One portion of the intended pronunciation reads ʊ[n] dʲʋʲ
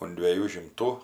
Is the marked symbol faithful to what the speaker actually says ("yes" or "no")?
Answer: yes